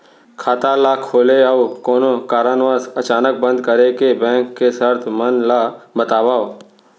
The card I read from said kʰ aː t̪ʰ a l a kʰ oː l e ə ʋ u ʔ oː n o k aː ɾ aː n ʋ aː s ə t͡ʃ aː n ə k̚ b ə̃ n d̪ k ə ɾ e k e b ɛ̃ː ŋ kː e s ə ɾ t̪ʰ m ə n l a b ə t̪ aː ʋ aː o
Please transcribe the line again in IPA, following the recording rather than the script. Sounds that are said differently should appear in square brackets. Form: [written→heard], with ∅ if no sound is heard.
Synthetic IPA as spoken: kʰ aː [t̪ʰ→t̪] a l a kʰ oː l e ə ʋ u [ʔ→k] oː n o k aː ɾ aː n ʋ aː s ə t͡ʃ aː n ə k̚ b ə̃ n d̪ k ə ɾ e k e b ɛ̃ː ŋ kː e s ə ɾ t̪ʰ m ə n l a b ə t̪ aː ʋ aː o